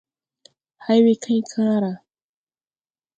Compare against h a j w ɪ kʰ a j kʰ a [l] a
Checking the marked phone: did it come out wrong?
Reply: yes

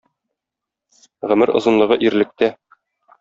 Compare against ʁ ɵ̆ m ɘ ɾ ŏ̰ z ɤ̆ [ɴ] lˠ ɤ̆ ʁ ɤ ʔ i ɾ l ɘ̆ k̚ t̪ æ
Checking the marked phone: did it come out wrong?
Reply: yes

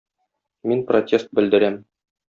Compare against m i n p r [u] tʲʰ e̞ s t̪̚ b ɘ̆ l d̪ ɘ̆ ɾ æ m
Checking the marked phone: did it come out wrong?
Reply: yes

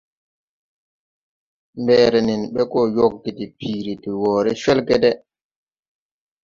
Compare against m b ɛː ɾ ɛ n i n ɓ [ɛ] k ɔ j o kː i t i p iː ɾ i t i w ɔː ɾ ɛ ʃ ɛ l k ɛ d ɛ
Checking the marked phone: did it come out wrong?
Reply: no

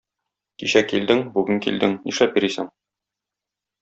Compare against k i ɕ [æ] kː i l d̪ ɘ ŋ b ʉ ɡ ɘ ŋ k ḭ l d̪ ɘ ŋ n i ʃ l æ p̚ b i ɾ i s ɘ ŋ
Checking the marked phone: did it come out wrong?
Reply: no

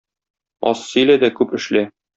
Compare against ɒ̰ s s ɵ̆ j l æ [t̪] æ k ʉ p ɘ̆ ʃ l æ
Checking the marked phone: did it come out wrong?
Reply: yes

